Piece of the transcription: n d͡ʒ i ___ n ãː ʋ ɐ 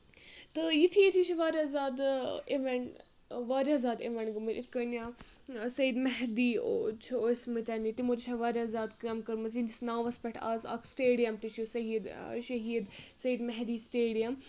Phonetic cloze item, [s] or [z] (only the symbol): s